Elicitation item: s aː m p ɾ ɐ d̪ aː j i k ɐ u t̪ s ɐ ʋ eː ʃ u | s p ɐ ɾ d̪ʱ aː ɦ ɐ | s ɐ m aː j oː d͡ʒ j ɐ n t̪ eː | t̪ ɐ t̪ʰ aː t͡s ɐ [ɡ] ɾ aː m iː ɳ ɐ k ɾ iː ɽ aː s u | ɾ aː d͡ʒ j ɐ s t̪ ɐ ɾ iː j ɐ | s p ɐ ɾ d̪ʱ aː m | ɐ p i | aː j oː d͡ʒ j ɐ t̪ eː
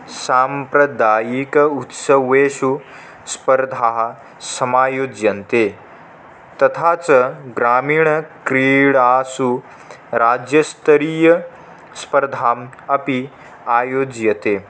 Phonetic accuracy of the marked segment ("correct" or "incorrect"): correct